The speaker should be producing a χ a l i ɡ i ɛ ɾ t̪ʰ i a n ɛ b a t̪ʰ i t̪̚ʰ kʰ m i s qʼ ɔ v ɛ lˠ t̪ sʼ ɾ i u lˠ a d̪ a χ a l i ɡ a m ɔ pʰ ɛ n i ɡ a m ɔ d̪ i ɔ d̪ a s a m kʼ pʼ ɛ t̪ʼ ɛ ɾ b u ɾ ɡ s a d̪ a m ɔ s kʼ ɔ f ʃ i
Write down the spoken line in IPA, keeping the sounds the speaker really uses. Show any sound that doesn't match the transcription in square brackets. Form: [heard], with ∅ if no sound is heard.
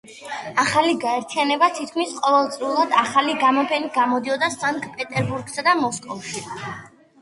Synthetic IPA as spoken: a χ a l i ɡ [a] ɛ ɾ t̪ʰ i a n ɛ b a t̪ʰ i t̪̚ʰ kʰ m i s qʼ ɔ v ɛ lˠ t̪ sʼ ɾ i u lˠ a d̪ a χ a l i ɡ a m ɔ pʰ ɛ n i ɡ a m ɔ d̪ i ɔ d̪ a s a [ŋ] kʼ pʼ ɛ t̪ʼ ɛ ɾ b u ɾ ɡ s a d̪ a m ɔ s kʼ ɔ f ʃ i